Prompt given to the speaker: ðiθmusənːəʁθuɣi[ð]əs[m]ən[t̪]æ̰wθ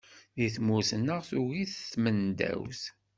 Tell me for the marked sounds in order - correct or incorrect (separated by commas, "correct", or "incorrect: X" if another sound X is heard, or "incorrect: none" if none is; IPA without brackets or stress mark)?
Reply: incorrect: θ, correct, incorrect: d̪